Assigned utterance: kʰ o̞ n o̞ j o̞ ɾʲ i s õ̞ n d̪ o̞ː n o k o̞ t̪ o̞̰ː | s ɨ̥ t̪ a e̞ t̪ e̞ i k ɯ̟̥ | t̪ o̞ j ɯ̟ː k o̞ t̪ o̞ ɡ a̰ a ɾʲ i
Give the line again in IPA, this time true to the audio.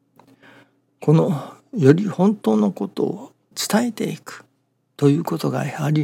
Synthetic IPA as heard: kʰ o̞ n o̞ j o̞ ɾʲ i h õ̞ n t̪ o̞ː n o k o̞ t̪ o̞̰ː | t͡s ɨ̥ t̪ a e̞ t̪ e̞ i k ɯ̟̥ | t̪ o̞ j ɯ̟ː k o̞ t̪ o̞ ɡ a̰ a ɾʲ i